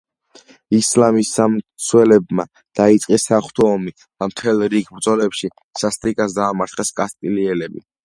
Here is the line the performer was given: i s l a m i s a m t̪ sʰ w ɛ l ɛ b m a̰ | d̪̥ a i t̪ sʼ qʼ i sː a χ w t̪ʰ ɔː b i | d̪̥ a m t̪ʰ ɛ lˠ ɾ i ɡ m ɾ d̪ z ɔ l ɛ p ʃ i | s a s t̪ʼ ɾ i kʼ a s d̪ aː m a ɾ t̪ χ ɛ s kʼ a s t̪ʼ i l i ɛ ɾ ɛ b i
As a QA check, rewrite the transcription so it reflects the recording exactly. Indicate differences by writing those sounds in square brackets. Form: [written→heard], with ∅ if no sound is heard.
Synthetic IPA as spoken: i s l a m i s a m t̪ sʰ w ɛ l ɛ b m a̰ | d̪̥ a i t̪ sʼ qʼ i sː a χ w t̪ʰ ɔː [b→m] i | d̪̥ a m t̪ʰ ɛ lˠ ɾ i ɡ [m→b] ɾ d̪ z ɔ l ɛ p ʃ i | s a s t̪ʼ ɾ i kʼ a s d̪ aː m a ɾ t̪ χ ɛ s kʼ a s t̪ʼ i l i ɛ [ɾ→l] ɛ b i